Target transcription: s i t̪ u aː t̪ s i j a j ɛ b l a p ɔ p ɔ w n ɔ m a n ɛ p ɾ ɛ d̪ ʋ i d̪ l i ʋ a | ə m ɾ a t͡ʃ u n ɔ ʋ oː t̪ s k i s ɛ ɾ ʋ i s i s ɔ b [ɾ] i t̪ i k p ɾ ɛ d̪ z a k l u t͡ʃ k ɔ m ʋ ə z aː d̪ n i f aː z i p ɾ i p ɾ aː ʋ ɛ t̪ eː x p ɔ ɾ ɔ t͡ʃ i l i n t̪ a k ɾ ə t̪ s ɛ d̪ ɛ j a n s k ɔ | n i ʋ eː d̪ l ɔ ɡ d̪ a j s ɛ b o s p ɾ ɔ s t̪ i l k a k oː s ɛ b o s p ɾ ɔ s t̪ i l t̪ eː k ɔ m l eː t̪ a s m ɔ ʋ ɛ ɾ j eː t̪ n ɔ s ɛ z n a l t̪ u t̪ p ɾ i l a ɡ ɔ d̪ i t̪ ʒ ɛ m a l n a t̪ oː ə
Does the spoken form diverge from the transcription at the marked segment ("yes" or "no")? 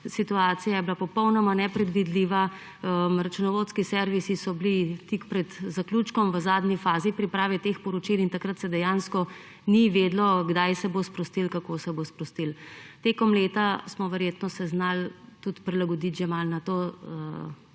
yes